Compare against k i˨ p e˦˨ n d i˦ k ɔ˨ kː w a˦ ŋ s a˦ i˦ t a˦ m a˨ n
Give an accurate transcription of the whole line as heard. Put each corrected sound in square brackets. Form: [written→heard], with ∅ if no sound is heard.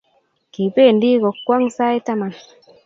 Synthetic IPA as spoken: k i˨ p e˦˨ n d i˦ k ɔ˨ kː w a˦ ŋ s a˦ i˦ t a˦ m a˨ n

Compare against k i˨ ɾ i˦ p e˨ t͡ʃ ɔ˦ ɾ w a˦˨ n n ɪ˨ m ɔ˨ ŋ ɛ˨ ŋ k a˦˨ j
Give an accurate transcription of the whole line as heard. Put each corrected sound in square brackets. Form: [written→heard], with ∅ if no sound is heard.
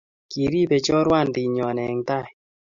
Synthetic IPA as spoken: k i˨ ɾ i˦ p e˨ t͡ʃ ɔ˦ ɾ w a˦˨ n [n→d] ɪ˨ [m→ɲ] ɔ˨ [ŋ→n] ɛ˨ ŋ [k→t] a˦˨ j

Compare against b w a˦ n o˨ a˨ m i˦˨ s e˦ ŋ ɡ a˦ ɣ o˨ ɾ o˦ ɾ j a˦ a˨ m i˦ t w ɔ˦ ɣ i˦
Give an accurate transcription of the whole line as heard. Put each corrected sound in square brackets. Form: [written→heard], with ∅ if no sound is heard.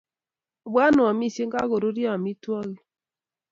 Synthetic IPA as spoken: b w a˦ n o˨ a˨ m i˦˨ s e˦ ŋ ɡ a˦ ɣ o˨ ɾ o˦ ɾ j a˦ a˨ m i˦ t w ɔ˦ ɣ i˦

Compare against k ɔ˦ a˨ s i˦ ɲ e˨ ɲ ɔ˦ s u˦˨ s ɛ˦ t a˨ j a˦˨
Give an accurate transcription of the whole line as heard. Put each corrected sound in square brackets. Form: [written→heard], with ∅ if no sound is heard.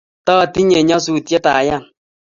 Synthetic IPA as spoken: [k→t] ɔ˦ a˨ [s→t] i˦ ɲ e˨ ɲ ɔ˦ s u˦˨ [s→t] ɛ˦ t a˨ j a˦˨

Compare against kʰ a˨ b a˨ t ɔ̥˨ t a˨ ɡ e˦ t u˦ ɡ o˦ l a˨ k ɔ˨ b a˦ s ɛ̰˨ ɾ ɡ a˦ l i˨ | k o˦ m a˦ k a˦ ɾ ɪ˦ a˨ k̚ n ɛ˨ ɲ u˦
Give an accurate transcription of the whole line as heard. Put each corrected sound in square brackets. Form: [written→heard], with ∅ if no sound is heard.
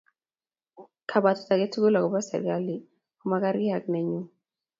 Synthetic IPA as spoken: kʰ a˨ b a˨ t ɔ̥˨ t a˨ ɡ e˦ t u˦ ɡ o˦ l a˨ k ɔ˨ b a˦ s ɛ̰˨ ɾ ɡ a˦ l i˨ | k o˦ m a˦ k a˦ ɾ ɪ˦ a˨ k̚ n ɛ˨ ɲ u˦

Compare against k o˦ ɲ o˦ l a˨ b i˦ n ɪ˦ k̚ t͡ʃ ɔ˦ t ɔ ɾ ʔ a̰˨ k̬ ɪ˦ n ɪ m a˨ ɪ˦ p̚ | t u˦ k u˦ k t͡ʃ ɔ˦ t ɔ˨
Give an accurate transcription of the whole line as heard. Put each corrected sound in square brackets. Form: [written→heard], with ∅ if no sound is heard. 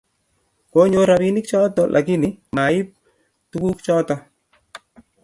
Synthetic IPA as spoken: k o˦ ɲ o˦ [l→ɾ] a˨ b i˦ n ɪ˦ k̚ t͡ʃ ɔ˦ t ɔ [ɾ→l] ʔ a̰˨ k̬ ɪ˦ n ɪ m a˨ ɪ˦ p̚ | t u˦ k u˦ k t͡ʃ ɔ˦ t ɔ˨

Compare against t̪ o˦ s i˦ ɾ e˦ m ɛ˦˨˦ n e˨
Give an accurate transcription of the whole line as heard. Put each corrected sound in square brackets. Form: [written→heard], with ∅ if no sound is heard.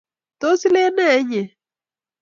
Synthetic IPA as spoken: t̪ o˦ s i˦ [ɾ→l] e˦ [m→n] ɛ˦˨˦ [n→ɲ] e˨

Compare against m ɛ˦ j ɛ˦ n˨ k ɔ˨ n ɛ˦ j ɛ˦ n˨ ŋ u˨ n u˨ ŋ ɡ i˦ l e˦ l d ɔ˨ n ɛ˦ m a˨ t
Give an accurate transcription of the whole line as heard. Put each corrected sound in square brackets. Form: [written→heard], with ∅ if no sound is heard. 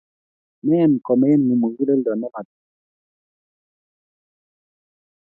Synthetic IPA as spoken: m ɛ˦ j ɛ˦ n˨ k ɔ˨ [n→m] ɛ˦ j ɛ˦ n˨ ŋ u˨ [n→m] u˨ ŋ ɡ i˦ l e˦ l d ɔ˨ n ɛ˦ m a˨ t

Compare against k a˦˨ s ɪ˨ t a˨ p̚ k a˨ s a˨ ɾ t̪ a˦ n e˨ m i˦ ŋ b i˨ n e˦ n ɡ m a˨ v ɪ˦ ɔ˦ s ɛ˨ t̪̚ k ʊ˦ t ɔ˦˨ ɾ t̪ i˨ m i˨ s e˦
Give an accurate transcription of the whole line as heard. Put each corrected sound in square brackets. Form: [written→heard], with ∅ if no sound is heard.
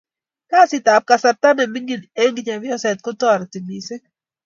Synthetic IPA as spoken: k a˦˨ s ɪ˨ t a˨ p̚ k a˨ s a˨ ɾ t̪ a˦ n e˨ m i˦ ŋ [b→ɡ] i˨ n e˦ [n→ŋ] ɡ [m→ɲ] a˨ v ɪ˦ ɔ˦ s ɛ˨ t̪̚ k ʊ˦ t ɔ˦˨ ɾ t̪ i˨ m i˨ s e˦

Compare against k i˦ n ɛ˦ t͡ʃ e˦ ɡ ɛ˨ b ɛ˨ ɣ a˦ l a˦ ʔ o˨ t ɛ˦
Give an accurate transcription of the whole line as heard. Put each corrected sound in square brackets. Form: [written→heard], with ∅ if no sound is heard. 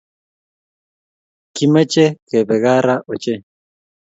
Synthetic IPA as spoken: k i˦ [n→m] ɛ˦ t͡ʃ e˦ [ɡ→k] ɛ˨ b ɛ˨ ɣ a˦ [l→ɾ] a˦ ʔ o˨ [t→t͡ʃ] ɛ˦

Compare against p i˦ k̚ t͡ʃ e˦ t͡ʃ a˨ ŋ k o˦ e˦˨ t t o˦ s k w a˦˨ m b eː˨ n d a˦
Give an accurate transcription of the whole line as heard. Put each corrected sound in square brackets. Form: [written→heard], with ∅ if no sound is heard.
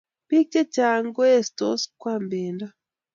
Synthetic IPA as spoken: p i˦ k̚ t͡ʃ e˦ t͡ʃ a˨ ŋ [k→ɡ] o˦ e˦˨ [t→s] t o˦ s k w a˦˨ m b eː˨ n d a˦

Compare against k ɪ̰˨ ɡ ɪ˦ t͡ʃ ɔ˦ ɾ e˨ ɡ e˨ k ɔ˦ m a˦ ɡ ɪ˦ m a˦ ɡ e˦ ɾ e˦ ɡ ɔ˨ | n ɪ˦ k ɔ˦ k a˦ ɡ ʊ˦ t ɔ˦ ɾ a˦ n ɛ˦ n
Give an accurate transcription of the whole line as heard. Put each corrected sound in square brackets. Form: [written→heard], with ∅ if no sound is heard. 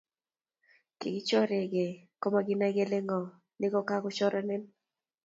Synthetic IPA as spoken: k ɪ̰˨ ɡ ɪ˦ t͡ʃ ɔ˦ ɾ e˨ ɡ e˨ k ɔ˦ m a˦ ɡ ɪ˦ [m→n] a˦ ɡ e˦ [ɾ→l] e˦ [ɡ→ŋ] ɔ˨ | n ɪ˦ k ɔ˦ k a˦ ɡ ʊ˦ [t→t͡ʃ] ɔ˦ ɾ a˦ n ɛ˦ n

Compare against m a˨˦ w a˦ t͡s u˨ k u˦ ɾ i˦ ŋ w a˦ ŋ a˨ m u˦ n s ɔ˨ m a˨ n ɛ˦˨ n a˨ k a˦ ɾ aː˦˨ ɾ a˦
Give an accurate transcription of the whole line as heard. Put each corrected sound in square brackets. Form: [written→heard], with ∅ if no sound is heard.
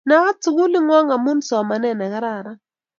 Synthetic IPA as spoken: [m→n] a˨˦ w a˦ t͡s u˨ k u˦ [ɾ→l] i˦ ŋ w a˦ ŋ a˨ m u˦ n s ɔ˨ m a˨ n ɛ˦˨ n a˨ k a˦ ɾ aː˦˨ ɾ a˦

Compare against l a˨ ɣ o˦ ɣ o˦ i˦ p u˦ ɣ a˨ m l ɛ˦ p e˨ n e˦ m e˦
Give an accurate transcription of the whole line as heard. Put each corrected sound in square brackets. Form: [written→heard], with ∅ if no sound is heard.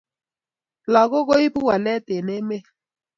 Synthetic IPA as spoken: l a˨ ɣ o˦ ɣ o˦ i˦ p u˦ [ɣ→w] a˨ [m→∅] l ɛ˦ [p→t] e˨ n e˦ m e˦

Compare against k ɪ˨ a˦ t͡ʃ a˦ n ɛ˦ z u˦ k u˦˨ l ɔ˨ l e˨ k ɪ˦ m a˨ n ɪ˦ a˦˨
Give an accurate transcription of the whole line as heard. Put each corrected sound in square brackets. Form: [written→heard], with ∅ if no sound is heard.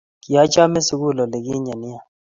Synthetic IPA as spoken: k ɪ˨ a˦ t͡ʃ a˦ [n→m] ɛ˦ [z→s] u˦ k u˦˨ l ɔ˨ l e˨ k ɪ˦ [m→ɲ] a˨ n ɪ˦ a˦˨

